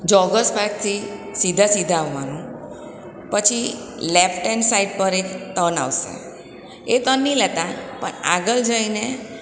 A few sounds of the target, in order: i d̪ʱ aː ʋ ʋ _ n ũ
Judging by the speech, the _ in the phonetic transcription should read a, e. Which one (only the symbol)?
a